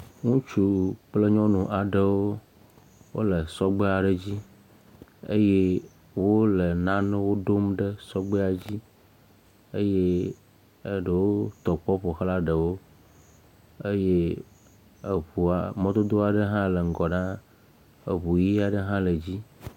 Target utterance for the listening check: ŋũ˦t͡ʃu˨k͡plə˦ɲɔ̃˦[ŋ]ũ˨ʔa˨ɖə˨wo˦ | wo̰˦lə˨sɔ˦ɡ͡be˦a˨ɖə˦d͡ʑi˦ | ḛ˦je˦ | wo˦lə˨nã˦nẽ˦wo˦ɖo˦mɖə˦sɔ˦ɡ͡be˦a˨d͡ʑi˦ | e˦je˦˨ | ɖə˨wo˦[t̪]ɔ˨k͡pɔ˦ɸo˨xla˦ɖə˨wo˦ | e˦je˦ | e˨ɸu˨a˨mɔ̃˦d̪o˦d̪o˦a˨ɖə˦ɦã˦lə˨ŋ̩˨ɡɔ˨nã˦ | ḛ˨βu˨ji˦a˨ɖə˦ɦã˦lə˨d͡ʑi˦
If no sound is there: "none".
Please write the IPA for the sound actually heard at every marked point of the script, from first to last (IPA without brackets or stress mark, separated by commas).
n, t̪